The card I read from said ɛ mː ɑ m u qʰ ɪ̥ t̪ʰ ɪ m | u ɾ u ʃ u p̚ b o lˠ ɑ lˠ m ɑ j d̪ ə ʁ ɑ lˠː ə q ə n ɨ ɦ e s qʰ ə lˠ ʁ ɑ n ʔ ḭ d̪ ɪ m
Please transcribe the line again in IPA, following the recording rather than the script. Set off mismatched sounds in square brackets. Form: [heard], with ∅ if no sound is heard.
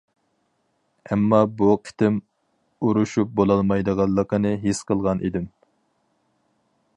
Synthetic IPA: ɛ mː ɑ [b] u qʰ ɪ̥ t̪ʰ ɪ m | u ɾ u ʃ u p̚ b o lˠ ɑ lˠ m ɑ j d̪ ə ʁ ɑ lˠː ə q ə n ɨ ɦ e s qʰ ə lˠ ʁ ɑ n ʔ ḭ d̪ ɪ m

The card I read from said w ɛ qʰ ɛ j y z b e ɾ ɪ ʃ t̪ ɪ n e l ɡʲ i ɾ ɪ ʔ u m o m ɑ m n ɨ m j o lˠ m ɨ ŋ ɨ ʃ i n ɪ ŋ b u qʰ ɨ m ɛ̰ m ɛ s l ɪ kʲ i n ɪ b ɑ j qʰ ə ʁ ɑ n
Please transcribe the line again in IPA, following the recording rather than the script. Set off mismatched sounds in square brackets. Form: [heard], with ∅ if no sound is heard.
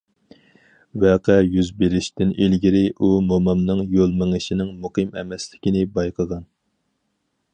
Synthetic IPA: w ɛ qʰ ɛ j y z b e ɾ ɪ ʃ t̪ ɪ n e l ɡʲ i ɾ ɪ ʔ u m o m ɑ m n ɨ [ŋ] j o lˠ m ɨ ŋ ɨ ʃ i n ɪ ŋ [m] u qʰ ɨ m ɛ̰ m ɛ s l ɪ kʲ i n ɪ b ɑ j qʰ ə ʁ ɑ n

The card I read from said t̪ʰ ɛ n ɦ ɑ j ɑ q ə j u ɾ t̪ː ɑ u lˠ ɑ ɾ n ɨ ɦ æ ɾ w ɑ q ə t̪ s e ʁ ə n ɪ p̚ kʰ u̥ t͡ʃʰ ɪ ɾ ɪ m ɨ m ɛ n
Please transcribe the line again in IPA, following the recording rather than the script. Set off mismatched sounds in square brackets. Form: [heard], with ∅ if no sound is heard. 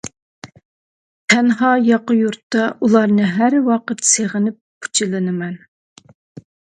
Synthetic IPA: t̪ʰ ɛ n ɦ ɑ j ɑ q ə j u ɾ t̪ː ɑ u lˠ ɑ ɾ n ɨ ɦ æ ɾ w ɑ q ə t̪ s e ʁ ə n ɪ p̚ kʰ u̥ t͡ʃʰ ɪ [l] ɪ [n] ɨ m ɛ n

